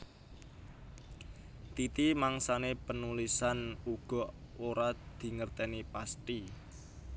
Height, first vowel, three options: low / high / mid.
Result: high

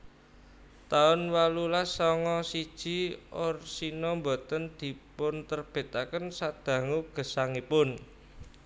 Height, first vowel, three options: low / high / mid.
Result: low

